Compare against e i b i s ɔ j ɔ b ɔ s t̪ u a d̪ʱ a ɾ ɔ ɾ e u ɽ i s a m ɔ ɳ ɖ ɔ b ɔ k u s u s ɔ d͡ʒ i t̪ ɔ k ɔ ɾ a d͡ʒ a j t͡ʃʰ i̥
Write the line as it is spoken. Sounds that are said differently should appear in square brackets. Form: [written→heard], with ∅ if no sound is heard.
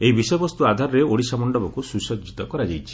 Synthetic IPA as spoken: e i b i s ɔ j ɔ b ɔ s t̪ u a d̪ʱ a ɾ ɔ ɾ e [u→o] ɽ i s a m ɔ ɳ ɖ ɔ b ɔ k u s u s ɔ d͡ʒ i t̪ ɔ k ɔ ɾ a d͡ʒ a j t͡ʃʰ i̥